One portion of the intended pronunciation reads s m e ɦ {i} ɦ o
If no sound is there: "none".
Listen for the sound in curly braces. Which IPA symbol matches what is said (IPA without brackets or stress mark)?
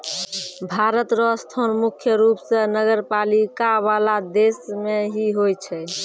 i